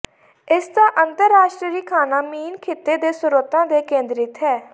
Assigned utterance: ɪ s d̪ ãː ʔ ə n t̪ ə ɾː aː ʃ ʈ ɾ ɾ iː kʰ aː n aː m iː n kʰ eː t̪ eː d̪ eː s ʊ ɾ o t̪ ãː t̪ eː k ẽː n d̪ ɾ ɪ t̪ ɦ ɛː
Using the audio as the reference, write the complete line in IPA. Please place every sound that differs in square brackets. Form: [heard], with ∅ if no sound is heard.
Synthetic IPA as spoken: ɪ s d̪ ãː ʔ ə n t̪ ə ɾː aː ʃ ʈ ɾ ɾ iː kʰ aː n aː m iː n kʰ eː t̪ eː d̪ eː s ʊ ɾ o t̪ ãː [d̪] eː k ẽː n d̪ ɾ ɪ t̪ ɦ ɛː